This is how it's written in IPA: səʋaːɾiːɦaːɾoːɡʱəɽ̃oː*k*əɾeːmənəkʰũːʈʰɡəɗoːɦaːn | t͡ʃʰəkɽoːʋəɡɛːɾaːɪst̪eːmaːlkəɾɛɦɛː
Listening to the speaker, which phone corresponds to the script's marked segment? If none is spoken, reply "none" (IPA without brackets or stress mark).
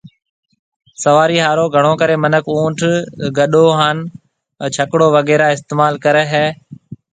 k